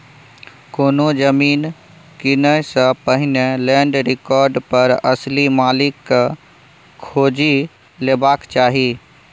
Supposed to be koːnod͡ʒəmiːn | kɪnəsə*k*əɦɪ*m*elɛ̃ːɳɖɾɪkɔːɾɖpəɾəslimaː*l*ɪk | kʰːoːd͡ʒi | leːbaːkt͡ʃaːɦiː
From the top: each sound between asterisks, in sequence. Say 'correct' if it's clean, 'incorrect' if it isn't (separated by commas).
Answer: incorrect, incorrect, correct